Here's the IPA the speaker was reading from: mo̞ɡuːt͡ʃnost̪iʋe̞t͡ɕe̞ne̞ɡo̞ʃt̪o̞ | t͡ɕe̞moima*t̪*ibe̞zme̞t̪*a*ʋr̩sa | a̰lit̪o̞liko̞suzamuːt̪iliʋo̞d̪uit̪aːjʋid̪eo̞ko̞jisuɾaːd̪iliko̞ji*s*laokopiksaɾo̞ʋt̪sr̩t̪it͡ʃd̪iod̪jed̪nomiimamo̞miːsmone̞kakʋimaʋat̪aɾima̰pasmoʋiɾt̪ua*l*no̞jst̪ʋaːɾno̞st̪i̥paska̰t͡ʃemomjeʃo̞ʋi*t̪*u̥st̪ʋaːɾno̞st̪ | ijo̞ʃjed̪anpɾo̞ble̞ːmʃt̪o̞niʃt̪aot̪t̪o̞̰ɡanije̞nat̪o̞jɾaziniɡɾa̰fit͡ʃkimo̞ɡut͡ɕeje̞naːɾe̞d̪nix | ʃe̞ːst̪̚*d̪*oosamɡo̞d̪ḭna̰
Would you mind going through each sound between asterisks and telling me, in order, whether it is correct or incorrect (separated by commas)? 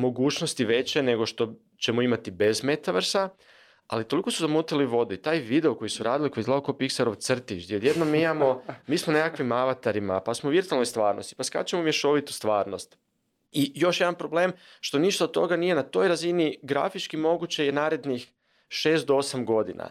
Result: correct, correct, incorrect, correct, correct, correct